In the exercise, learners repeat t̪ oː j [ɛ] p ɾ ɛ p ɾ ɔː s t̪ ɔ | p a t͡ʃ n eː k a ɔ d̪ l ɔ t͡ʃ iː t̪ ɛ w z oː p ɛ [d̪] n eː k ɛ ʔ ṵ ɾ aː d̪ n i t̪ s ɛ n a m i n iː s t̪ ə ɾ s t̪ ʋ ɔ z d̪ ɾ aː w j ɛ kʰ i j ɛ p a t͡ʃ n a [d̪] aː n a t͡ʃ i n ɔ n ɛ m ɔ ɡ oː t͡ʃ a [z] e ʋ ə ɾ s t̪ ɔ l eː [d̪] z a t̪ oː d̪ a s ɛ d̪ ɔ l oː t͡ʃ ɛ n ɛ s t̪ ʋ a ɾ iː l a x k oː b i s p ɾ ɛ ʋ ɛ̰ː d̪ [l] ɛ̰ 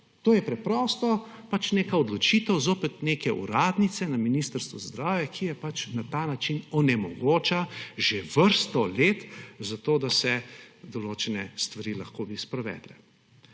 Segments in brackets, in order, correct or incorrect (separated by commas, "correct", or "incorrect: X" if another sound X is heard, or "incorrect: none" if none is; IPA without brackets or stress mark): correct, incorrect: t̪, incorrect: t̪, incorrect: ʒ, incorrect: t̪, correct